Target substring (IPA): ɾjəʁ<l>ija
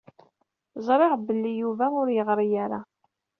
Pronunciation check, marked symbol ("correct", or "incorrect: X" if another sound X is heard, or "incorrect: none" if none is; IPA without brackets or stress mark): incorrect: ɾ